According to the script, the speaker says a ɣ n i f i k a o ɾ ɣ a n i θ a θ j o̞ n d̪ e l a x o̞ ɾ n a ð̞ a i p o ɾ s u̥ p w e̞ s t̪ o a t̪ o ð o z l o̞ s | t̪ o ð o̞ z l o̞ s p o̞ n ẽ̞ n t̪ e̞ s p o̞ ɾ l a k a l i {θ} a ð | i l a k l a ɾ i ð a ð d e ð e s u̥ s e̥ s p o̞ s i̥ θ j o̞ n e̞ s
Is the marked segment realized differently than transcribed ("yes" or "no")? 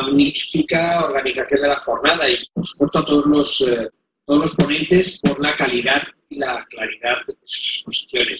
yes